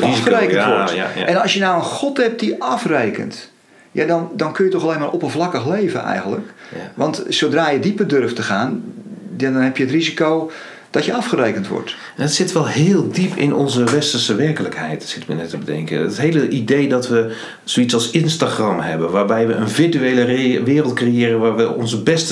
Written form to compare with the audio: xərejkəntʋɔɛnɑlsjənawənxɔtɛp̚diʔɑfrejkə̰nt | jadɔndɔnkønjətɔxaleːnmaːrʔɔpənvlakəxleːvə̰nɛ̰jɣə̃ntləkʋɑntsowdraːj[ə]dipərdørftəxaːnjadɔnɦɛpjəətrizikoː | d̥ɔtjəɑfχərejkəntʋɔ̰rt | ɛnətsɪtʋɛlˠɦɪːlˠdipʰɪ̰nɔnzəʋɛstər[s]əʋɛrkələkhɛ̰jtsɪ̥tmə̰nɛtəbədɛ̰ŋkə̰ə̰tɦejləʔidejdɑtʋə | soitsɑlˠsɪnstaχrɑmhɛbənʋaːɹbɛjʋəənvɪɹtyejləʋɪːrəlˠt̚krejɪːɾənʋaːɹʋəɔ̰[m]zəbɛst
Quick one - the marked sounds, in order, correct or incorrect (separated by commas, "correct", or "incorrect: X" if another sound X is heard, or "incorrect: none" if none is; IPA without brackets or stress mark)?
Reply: correct, correct, incorrect: n